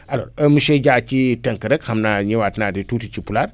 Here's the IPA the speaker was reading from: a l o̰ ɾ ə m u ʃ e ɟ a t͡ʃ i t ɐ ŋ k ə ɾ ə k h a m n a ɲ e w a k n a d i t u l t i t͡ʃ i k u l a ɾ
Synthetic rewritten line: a l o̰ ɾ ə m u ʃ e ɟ a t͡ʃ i t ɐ ŋ k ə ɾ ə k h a m n a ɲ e w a t n a d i t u t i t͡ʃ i p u l a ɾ

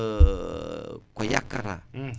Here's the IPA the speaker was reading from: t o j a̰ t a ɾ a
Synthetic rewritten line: k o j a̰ k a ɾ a

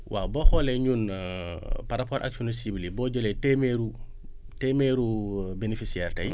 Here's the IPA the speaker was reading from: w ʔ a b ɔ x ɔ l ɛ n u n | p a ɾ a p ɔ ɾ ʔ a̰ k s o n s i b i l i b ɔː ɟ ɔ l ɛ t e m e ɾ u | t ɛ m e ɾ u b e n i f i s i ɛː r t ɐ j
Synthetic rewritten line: w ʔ a b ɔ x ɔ l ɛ ɲ u n | p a ɾ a p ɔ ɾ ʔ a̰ k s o n s i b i l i b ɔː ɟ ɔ l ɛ t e m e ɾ u | t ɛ m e ɾ u b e n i f i s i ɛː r t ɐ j

